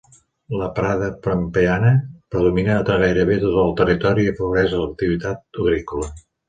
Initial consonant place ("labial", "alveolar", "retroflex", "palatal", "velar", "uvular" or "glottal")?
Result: alveolar